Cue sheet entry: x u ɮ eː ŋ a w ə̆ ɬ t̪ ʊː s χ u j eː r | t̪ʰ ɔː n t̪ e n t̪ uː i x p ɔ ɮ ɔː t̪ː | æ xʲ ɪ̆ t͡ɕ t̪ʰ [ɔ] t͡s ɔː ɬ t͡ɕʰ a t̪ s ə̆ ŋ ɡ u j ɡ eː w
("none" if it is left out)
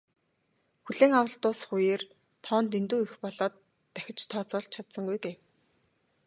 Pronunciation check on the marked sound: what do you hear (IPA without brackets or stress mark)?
ɔː